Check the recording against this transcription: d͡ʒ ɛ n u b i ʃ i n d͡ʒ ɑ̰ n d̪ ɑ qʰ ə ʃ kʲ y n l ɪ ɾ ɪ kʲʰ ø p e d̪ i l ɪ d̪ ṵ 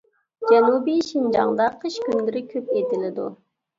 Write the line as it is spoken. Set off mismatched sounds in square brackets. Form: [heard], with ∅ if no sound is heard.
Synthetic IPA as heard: d͡ʒ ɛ n u b i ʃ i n d͡ʒ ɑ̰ [ŋ] d̪ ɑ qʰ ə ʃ kʲ y n l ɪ ɾ ɪ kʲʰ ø p e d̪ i l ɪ d̪ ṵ